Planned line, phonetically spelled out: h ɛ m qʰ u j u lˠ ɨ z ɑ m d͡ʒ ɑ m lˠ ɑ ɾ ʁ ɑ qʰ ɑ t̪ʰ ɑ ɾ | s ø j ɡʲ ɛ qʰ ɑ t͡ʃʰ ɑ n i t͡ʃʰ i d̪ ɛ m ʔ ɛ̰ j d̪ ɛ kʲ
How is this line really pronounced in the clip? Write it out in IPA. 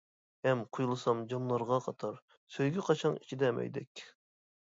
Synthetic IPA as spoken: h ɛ m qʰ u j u lˠ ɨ s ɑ m d͡ʒ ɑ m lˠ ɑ ɾ ʁ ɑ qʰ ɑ t̪ʰ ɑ ɾ | s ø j ɡʲ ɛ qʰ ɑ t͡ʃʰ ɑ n i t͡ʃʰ i d̪ ɛ m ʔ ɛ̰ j d̪ ɛ kʲ